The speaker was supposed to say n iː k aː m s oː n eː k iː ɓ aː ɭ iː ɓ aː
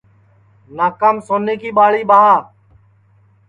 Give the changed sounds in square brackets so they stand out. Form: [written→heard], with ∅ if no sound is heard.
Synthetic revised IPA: n [iː→aː] k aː m s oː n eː k iː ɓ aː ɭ iː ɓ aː